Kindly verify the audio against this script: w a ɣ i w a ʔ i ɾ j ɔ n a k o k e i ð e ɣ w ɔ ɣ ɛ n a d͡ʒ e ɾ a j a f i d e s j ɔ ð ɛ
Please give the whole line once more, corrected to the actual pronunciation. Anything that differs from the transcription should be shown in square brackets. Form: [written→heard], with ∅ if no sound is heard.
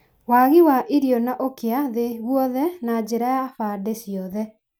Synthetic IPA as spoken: w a ɣ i w a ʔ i ɾ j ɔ n a [k→ʔ] o k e [i→a] ð e ɣ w ɔ [ɣ→ð] ɛ n a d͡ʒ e ɾ a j a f [i→a] d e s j ɔ ð ɛ